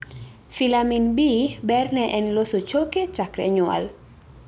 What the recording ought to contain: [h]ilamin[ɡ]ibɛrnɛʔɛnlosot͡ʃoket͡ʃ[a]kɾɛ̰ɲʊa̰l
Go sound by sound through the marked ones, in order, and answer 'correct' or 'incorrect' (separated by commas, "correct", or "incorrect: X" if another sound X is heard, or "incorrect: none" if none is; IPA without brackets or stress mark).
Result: incorrect: f, incorrect: b, correct